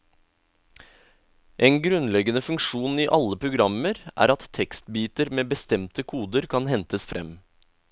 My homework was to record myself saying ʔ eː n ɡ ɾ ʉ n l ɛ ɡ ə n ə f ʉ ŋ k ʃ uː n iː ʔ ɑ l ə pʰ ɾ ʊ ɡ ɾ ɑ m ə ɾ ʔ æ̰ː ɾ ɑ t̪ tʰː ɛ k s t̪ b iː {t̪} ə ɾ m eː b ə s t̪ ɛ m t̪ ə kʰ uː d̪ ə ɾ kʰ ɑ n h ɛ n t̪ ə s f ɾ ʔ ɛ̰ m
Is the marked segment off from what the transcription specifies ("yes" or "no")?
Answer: no